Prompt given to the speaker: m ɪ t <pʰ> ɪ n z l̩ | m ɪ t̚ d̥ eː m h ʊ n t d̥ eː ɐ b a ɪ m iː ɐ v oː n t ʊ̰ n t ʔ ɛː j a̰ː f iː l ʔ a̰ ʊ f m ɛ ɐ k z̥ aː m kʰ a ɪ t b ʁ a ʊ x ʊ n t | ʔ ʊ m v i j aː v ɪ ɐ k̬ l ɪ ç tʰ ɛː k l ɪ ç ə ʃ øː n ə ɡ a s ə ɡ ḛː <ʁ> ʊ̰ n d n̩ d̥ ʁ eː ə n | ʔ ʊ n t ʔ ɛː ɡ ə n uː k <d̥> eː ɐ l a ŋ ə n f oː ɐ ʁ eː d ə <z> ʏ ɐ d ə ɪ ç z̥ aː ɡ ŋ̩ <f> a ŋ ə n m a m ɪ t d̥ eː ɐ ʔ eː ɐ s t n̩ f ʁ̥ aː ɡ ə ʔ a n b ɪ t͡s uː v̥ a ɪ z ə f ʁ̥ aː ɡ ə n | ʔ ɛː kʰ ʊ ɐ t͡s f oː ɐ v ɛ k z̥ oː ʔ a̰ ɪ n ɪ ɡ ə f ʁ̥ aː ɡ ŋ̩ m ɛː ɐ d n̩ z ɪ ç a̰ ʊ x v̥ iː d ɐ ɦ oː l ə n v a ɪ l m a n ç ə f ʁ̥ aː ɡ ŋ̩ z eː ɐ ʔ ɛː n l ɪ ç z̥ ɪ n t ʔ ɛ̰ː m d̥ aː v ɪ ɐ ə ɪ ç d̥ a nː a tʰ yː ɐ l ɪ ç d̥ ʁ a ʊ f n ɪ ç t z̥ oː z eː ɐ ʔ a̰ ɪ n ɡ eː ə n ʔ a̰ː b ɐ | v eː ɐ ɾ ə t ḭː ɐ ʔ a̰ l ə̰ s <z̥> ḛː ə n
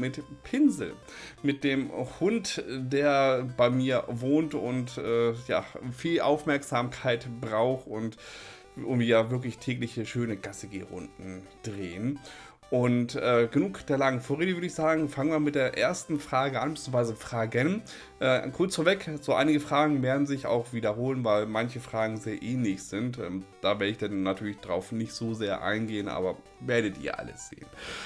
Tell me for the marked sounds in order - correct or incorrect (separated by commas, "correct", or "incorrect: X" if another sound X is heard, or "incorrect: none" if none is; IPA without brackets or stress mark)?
correct, correct, correct, incorrect: v, correct, correct